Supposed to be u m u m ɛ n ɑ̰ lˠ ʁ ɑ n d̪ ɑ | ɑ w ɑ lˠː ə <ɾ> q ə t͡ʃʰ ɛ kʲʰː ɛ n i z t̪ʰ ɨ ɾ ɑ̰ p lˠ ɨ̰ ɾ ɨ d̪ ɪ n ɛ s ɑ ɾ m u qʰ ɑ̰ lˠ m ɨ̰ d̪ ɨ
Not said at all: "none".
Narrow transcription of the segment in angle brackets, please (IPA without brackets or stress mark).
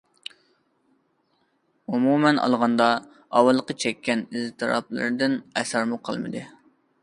none